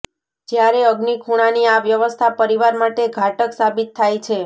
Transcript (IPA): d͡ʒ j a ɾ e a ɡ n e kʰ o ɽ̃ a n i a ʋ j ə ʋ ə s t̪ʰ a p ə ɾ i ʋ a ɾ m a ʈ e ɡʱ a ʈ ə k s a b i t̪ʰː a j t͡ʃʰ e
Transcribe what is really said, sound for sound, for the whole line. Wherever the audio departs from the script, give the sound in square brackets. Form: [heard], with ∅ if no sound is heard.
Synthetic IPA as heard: d͡ʒ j a ɾ e [ə] ɡ n [i] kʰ [u] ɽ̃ a n i a ʋ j ə ʋ ə s t̪ʰ a p ə ɾ i ʋ a ɾ m a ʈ e ɡʱ a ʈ ə k s a b i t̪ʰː a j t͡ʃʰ e